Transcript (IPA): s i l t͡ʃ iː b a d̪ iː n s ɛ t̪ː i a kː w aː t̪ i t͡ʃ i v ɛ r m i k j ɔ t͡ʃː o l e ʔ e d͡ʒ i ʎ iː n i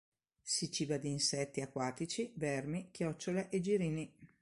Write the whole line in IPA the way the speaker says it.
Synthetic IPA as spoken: s i t͡ʃ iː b a d̪ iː n s ɛ t̪ː i a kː w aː t̪ i t͡ʃ i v ɛ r m i k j ɔ t͡ʃː o l e ʔ e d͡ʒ i ɾ iː n i